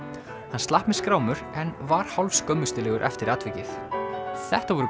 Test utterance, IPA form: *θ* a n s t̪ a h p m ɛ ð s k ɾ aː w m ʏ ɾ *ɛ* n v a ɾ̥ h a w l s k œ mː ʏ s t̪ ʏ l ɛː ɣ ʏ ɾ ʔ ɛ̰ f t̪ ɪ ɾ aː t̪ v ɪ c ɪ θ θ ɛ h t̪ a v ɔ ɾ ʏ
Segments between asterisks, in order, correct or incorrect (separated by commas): incorrect, correct